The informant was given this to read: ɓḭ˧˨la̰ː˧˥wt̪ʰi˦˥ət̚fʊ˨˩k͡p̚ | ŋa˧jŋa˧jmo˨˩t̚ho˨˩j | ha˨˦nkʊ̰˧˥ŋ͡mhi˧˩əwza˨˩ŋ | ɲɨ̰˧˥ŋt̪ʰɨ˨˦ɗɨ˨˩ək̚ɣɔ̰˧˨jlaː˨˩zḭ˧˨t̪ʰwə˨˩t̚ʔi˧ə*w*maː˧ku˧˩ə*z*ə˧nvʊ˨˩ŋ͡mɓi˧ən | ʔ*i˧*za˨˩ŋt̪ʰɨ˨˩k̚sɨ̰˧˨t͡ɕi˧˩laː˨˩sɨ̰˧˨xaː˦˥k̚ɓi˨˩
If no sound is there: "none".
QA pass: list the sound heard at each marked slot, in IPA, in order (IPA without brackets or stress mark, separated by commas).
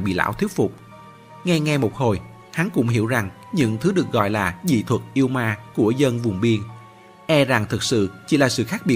w, z, ɛ˧